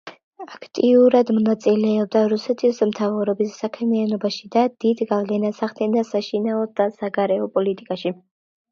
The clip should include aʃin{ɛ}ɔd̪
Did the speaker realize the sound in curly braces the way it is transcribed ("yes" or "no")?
no